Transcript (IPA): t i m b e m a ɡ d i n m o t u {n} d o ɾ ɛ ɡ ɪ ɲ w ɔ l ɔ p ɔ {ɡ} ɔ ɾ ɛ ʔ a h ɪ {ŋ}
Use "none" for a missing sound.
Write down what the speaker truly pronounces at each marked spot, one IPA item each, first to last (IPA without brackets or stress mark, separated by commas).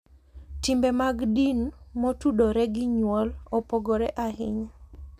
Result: none, ɡ, ɲ